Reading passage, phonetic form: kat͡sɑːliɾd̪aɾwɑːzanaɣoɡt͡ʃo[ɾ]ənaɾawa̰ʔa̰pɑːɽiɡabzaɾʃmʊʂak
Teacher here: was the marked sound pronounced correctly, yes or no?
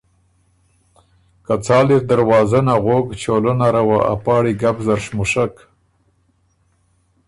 no